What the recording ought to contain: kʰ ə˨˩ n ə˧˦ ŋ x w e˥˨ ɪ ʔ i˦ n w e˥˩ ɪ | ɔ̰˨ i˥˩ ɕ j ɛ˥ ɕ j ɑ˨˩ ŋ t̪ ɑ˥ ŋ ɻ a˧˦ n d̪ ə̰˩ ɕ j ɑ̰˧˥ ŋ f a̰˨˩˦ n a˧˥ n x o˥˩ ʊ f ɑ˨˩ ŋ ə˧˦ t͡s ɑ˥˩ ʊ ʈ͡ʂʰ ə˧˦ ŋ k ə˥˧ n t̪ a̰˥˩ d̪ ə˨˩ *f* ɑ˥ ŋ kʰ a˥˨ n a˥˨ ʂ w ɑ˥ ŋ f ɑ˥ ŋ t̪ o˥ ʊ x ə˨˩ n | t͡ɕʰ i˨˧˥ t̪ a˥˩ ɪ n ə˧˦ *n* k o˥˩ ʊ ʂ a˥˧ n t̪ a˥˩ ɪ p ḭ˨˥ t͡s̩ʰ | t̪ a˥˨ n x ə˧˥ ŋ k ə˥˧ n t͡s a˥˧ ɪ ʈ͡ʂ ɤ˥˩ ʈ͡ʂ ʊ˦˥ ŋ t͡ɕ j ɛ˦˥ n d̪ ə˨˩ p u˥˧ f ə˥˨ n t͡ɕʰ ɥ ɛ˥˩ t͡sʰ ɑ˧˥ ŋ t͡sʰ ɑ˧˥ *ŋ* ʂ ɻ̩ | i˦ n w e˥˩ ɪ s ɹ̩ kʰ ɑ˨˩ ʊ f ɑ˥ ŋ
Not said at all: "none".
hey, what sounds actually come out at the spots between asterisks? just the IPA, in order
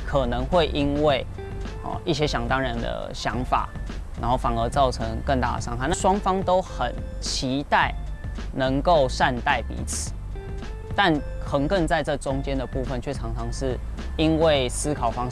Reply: ʂ, ŋ, ŋ

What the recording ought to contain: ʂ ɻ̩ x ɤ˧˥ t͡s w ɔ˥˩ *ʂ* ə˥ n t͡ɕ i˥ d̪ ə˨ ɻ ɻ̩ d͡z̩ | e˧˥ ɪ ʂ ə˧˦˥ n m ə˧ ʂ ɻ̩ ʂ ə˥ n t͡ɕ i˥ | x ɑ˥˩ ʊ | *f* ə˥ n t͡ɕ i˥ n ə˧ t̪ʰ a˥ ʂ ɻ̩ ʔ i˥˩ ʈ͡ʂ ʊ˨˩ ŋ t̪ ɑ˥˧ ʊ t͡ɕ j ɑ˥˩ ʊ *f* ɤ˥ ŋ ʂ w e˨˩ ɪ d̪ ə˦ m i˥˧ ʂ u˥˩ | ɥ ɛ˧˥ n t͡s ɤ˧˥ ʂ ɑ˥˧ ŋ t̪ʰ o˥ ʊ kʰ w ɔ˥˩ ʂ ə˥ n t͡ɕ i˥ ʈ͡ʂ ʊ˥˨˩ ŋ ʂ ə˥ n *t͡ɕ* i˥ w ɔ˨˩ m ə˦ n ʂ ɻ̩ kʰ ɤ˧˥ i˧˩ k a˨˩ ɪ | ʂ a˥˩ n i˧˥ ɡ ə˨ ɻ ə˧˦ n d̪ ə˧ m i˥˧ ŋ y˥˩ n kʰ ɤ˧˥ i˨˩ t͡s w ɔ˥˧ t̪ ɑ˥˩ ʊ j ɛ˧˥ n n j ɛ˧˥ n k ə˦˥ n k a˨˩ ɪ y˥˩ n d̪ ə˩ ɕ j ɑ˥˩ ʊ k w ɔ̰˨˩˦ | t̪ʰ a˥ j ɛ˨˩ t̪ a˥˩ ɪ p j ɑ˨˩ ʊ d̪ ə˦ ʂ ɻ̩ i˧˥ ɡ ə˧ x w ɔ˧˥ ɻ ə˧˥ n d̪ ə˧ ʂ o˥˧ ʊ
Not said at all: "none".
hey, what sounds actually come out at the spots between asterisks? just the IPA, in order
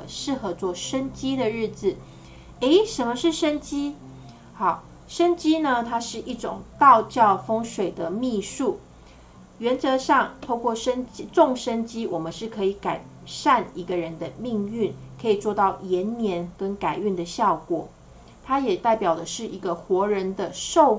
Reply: ʂ, ʂ, f, t͡ɕ

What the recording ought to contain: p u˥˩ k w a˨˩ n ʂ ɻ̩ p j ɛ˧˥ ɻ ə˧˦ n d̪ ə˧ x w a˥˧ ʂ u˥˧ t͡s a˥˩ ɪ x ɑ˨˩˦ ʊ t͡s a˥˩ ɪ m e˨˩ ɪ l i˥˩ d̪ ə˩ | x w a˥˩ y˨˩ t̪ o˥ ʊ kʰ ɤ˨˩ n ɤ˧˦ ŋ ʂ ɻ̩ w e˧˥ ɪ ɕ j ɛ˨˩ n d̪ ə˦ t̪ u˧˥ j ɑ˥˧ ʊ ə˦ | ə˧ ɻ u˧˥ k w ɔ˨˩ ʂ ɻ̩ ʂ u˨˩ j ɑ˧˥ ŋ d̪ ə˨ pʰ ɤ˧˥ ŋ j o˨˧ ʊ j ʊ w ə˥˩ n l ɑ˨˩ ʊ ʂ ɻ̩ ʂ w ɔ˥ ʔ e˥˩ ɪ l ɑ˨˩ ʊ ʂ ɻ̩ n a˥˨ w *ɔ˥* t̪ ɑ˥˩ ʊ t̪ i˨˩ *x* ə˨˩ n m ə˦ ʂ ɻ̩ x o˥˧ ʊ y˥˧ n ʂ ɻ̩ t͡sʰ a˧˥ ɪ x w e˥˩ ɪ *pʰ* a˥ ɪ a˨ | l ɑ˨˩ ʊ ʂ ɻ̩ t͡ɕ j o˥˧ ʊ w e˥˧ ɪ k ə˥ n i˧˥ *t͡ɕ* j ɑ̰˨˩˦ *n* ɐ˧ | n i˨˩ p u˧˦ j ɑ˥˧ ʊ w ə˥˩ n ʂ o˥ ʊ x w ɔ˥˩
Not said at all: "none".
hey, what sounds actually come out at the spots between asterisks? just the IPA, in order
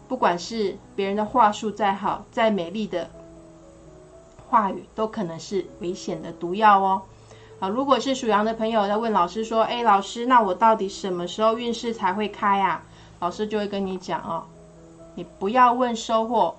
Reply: ɔ˨˩, ʂ, kʰ, t͡ɕ, ŋ

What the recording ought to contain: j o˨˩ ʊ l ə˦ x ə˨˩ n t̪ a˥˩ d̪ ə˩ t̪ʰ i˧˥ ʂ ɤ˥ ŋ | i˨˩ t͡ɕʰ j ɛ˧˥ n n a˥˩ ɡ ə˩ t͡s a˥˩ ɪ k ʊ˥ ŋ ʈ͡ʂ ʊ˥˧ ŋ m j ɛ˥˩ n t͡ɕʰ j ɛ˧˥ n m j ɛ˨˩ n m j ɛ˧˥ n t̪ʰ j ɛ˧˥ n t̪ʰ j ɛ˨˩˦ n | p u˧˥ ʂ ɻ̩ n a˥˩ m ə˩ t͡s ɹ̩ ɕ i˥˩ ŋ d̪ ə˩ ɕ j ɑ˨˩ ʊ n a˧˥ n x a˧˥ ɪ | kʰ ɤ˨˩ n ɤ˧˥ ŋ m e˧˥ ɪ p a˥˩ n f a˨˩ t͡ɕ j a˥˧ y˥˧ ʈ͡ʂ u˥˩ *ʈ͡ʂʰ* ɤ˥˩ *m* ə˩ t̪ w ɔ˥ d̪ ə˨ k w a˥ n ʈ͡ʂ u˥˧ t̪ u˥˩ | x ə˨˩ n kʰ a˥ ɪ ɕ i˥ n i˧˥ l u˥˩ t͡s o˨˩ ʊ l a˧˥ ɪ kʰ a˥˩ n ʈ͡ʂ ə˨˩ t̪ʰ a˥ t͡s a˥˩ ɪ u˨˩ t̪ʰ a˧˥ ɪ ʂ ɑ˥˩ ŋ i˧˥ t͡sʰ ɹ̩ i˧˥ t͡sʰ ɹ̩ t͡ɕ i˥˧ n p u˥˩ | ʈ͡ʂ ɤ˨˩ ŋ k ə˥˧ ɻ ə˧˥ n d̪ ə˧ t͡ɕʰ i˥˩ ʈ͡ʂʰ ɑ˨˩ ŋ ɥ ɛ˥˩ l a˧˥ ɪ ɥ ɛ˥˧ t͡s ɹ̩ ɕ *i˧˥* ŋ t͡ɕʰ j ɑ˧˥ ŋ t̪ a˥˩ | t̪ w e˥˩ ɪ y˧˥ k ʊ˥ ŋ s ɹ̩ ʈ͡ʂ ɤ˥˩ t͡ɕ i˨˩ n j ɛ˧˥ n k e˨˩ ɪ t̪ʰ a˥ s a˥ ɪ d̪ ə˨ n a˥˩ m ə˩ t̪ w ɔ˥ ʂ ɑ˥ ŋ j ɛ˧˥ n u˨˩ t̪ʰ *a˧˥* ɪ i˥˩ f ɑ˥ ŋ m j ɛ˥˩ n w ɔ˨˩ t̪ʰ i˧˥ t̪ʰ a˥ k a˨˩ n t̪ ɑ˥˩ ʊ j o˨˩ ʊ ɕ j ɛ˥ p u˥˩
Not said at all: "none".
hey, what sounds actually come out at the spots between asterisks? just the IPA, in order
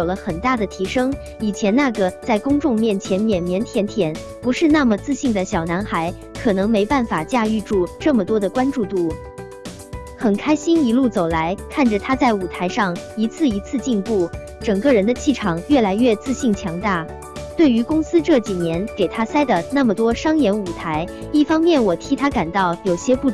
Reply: ʈ͡ʂ, m, i˥˩, a˧˥

